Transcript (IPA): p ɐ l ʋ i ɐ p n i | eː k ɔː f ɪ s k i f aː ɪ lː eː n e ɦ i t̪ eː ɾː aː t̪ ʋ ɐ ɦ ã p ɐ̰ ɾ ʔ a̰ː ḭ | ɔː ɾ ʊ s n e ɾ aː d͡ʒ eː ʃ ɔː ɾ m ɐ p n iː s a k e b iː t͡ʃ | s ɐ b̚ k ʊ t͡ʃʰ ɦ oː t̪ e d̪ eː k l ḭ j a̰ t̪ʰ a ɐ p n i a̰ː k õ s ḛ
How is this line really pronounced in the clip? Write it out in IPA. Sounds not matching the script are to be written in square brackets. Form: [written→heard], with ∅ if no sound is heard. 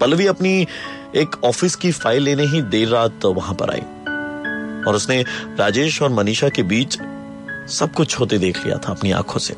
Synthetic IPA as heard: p ɐ l ʋ i ɐ p n i | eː k ɔː f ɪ s k i f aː ɪ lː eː n e ɦ i [t̪→d̪] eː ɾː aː t̪ ʋ ɐ ɦ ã p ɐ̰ ɾ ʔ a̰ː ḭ | ɔː ɾ ʊ s n e ɾ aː d͡ʒ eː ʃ ɔː ɾ m ɐ [p→∅] n iː [s→ʃ] a k e b iː t͡ʃ | s ɐ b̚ k ʊ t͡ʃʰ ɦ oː t̪ e d̪ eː [k→kʰ] l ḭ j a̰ t̪ʰ a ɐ p n i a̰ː [k→kʰ] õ s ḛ